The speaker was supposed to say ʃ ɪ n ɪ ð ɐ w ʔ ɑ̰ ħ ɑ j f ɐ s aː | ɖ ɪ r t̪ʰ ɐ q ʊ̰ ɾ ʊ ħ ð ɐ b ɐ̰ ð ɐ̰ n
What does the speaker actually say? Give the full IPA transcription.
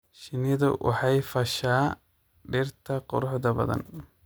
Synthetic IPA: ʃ ɪ n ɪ ð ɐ w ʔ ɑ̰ ħ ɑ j f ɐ ʃ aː | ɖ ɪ r t̪ʰ ɐ q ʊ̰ ɾ ʊ ħ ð ɐ b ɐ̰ ð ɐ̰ n